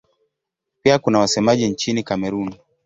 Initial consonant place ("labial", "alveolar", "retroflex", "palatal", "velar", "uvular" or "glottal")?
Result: labial